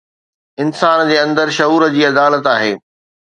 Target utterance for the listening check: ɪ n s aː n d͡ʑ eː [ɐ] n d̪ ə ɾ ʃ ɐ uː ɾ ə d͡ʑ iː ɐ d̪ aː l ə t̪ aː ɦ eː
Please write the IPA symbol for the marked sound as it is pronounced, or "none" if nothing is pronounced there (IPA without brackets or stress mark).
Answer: ɐ̃